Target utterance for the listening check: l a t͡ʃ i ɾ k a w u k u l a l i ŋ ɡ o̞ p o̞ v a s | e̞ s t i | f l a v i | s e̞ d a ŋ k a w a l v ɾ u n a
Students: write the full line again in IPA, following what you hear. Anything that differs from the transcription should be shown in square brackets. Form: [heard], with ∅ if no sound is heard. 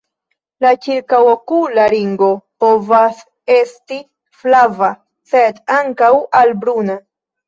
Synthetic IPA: l a t͡ʃ i ɾ k a w [o] k u l a [ɾ] i ŋ ɡ o̞ p o̞ v a s | e̞ s t i | f l a v [a] | s e̞ d a ŋ k a w a l [b] ɾ u n a